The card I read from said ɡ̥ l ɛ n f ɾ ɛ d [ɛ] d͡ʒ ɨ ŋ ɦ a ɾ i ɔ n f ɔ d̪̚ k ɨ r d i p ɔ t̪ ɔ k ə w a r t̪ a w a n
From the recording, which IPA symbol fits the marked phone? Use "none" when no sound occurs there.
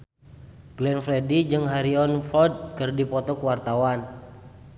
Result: i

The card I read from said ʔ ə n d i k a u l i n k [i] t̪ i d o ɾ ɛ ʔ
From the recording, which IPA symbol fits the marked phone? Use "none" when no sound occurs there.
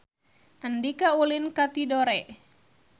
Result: a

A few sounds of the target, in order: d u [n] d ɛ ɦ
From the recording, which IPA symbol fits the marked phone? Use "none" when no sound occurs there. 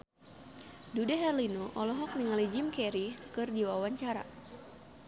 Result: none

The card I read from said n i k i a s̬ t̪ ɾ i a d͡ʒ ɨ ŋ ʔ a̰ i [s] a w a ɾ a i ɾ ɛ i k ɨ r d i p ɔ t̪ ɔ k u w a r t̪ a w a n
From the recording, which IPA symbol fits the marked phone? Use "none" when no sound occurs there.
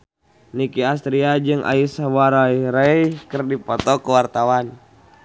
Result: s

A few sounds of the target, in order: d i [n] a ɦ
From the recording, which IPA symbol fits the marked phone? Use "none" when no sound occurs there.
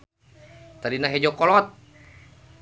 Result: n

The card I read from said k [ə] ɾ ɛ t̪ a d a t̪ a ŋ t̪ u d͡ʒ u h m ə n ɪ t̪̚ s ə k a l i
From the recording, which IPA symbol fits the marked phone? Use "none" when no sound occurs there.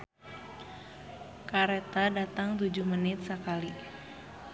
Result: a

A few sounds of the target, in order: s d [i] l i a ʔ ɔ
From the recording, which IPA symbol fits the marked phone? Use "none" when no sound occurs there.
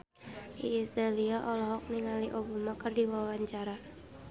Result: a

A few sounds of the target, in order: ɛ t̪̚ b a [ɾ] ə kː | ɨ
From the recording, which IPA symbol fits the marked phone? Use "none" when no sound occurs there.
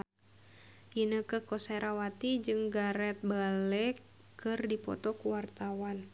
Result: l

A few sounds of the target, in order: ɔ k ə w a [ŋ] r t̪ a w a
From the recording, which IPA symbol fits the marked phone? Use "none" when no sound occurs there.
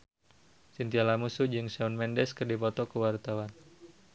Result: none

